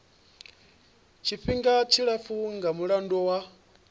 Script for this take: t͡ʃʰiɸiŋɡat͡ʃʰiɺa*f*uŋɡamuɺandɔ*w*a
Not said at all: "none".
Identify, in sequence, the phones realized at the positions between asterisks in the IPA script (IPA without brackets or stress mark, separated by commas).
f, w